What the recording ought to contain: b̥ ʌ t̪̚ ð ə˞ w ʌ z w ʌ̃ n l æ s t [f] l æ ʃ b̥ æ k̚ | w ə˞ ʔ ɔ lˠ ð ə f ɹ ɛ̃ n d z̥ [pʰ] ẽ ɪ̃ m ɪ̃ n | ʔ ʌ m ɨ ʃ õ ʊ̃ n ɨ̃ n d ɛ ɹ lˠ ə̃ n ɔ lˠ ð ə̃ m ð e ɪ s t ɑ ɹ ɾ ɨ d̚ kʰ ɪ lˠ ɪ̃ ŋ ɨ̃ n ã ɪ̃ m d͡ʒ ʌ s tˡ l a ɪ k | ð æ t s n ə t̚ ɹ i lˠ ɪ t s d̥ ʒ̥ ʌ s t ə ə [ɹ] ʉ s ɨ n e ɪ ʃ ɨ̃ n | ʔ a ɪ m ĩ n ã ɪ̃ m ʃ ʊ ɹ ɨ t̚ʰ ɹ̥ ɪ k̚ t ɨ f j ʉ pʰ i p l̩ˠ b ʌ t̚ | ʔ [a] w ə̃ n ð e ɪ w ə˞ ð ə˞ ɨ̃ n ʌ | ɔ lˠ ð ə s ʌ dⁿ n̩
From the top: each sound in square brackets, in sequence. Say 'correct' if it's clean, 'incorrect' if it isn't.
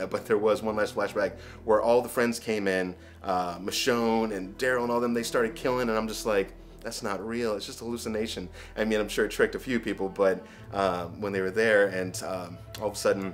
correct, incorrect: kʰ, incorrect: l, incorrect: ʌ

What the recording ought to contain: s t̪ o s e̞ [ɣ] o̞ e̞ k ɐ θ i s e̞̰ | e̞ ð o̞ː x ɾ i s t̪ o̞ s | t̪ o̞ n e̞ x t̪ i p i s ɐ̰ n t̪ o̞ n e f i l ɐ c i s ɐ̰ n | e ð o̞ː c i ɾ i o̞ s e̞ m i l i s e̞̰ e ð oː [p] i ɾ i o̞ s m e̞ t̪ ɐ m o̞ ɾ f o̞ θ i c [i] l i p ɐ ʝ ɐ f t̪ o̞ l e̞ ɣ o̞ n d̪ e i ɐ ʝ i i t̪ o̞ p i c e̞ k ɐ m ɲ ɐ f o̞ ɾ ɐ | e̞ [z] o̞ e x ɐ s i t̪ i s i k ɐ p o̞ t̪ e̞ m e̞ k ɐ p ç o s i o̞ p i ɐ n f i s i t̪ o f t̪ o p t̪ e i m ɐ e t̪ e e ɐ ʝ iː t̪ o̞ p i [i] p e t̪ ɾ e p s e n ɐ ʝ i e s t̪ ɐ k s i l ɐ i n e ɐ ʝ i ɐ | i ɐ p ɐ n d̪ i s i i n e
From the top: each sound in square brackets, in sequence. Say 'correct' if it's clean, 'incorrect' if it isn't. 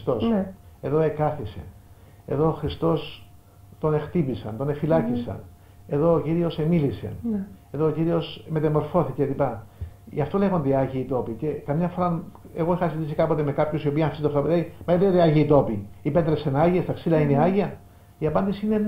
incorrect: ð, incorrect: c, incorrect: e, incorrect: ɣ, correct

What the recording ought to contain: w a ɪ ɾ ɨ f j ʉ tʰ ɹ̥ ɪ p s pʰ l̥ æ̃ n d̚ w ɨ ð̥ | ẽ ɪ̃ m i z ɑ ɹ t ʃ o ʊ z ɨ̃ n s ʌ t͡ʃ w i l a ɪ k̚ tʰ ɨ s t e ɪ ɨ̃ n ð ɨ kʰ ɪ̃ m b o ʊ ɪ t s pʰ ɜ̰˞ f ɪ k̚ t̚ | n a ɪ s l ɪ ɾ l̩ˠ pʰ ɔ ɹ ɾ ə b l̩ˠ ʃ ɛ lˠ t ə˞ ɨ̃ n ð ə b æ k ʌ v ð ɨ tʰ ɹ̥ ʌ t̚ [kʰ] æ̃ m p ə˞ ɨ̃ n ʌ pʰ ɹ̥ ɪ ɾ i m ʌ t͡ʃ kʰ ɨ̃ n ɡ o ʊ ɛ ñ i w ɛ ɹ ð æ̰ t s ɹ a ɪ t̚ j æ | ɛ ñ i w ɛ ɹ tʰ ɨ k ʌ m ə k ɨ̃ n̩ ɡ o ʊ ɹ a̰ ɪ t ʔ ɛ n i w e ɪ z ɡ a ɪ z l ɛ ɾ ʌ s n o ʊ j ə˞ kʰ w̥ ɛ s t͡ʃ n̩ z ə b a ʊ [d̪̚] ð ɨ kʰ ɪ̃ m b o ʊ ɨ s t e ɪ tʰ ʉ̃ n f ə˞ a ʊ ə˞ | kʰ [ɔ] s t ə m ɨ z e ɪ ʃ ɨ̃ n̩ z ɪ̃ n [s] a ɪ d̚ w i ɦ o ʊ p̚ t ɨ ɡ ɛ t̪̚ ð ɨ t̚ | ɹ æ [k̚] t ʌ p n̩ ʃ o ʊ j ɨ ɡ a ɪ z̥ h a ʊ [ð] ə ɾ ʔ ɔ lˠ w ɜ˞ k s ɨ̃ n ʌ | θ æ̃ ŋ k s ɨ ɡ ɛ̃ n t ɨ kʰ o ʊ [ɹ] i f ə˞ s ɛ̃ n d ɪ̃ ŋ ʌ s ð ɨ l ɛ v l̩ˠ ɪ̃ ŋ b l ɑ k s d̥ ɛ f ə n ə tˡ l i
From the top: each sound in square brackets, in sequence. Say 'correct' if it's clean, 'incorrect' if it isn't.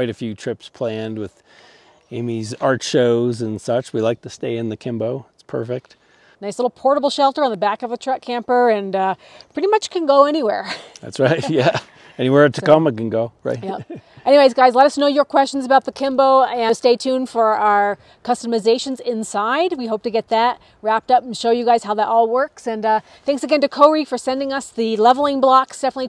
correct, incorrect: t̪̚, incorrect: ʌ, correct, incorrect: p̚, correct, correct

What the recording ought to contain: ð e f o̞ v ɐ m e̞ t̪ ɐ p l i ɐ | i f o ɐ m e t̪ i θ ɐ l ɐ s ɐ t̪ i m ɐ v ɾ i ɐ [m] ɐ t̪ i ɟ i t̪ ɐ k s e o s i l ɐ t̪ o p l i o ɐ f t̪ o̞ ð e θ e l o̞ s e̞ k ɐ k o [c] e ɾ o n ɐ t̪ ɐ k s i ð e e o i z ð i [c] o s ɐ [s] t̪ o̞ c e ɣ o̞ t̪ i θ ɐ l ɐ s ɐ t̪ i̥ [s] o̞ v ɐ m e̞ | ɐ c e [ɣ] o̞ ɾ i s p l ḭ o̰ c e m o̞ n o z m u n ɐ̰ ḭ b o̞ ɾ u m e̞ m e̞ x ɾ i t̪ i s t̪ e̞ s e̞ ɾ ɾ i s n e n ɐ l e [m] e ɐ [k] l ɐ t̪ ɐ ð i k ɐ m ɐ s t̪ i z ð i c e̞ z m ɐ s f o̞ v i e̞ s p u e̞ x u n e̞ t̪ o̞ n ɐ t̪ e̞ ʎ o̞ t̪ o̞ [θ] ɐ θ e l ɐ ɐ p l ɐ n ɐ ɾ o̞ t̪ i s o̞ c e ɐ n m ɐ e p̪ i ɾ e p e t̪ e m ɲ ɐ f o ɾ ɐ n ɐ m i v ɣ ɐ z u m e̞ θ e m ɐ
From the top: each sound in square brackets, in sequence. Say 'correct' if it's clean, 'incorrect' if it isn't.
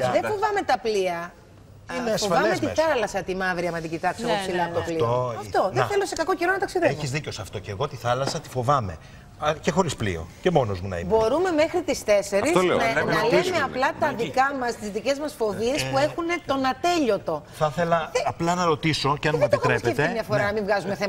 correct, correct, correct, incorrect: f, incorrect: f, incorrect: x, correct, incorrect: p, correct

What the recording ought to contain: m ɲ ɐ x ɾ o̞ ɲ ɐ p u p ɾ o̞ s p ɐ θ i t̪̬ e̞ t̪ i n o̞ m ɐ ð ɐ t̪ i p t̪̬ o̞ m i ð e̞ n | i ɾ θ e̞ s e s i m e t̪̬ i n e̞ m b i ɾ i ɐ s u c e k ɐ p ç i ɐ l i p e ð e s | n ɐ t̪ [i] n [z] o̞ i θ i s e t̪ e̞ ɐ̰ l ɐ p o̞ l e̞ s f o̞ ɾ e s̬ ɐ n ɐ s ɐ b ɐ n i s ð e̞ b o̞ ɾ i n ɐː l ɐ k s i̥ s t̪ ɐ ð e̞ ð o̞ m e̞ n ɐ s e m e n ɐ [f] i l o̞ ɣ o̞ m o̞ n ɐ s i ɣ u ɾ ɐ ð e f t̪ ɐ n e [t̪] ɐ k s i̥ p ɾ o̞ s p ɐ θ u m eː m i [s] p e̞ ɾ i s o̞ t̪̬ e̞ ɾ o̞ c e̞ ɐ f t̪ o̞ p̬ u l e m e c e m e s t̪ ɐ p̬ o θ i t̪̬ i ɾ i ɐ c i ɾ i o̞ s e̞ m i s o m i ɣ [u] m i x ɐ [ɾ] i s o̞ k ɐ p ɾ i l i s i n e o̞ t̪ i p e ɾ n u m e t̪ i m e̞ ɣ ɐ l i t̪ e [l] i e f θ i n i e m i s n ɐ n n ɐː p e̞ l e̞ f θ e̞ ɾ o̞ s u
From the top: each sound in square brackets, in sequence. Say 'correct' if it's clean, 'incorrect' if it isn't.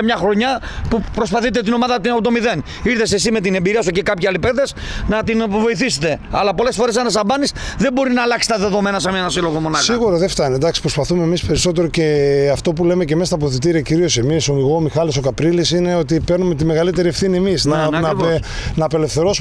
correct, incorrect: v, incorrect: s, incorrect: d̪, correct, incorrect: o, incorrect: l, incorrect: ɾ

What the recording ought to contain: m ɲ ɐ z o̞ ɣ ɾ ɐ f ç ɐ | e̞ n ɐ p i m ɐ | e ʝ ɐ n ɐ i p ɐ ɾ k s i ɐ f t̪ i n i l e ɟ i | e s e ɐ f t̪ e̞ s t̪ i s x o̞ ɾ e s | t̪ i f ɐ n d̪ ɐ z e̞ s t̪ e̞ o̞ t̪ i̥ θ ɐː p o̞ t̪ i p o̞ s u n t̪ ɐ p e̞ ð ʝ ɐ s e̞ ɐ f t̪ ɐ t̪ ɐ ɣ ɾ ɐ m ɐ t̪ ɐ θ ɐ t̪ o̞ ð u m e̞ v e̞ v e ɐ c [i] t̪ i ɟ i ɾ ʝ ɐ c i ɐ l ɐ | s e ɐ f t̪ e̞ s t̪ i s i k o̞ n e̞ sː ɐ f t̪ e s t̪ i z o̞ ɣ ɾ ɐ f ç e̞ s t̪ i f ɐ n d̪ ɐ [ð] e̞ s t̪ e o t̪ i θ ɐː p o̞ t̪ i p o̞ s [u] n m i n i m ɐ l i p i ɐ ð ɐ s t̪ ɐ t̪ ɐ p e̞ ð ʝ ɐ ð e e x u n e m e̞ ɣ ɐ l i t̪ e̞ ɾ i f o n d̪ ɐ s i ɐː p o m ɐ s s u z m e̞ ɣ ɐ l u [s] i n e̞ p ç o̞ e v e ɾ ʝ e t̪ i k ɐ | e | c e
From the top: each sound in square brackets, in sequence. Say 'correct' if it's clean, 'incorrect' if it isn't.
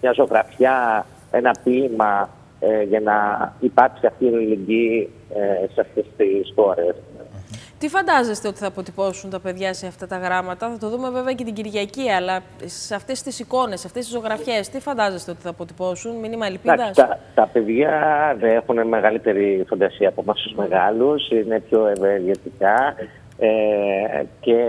incorrect: e, incorrect: z, correct, correct

